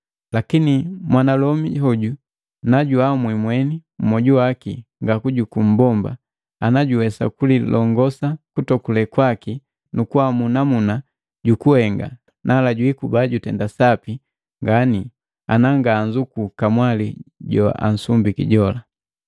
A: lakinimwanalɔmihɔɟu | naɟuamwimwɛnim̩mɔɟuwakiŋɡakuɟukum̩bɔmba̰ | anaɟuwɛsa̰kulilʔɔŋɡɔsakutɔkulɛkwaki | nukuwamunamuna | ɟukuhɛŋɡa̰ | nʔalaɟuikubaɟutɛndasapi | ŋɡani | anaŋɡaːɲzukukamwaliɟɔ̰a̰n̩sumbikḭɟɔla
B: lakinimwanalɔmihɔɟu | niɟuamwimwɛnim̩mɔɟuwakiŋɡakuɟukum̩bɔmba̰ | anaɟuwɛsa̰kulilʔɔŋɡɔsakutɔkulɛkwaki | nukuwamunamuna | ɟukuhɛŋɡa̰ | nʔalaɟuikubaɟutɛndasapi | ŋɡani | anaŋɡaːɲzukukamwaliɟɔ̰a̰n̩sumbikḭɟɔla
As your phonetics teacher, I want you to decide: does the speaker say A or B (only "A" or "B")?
A